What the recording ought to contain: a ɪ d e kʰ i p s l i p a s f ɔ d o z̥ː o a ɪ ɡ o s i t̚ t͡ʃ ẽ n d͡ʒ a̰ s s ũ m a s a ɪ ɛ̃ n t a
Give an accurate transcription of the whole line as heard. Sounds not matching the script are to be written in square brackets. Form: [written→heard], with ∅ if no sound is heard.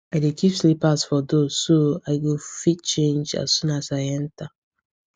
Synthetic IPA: a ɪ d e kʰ i p s l i p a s f ɔ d o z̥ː o a ɪ ɡ o [s→f] i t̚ t͡ʃ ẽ n d͡ʒ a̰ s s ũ [m→n] a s a ɪ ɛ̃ n t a

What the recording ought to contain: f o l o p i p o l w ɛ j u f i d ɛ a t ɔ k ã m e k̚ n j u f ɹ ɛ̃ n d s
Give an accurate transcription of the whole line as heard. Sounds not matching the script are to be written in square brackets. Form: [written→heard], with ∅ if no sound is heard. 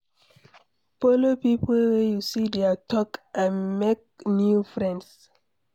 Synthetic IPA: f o l o p i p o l w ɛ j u [f→s] i d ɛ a t ɔ k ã m e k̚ n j u f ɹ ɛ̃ n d s

